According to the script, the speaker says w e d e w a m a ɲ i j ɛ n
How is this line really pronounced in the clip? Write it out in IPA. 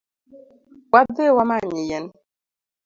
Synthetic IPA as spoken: w a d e w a m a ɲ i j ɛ n